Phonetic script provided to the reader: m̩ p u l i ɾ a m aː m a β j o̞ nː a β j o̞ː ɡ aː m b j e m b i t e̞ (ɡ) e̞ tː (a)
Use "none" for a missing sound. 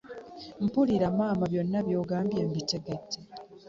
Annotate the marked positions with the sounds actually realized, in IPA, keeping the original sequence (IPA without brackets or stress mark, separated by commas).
ɡ, e